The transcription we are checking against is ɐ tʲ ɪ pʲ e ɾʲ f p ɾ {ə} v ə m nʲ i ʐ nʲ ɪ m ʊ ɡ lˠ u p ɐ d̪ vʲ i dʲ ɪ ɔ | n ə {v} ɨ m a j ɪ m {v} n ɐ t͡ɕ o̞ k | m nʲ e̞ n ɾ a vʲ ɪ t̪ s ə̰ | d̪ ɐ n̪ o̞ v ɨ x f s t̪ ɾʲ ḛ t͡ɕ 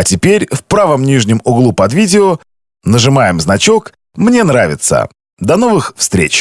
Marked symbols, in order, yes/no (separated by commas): no, no, no